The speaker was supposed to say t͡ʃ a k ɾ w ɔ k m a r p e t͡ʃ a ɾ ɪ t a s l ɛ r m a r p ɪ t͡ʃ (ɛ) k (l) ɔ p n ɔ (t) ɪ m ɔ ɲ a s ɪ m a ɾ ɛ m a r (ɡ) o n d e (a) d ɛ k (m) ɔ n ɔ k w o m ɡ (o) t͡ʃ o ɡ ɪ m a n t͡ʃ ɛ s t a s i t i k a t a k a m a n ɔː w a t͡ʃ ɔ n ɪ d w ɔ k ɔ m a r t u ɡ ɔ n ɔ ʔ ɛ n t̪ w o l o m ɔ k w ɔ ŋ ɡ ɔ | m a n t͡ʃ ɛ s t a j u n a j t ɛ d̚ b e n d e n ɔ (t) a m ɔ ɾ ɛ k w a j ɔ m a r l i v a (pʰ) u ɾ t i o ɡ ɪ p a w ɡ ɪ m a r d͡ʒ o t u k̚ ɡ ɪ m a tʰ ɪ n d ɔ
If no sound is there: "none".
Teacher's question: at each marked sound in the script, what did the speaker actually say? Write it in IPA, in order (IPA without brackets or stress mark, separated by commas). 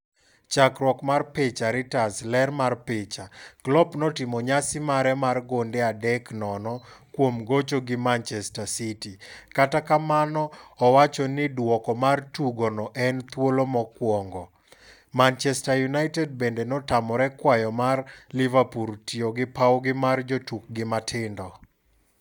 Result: a, l, t, ɡ, a, n, o, t, p